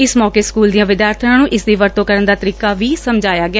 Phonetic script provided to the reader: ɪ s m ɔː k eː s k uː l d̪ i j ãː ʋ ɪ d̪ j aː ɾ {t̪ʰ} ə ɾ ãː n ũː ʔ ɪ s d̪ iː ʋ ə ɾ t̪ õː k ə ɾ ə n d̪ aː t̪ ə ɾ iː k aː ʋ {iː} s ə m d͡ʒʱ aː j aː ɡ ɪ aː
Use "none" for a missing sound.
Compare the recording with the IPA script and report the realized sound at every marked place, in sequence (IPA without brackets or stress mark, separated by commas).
t̪ʰ, iː